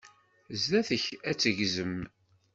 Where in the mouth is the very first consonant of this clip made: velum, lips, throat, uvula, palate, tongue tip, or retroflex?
tongue tip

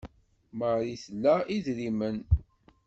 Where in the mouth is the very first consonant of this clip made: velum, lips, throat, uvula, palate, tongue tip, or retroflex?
lips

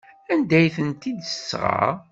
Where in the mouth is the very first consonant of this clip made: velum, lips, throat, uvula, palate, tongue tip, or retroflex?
tongue tip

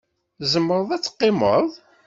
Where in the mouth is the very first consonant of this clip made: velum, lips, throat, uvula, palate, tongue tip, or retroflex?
tongue tip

